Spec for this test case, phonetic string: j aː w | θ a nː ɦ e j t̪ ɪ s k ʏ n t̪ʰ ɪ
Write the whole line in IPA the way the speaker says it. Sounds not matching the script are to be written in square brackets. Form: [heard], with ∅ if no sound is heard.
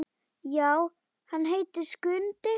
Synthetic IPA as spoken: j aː w | [h] a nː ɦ e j t̪ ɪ s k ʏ n [t̪] ɪ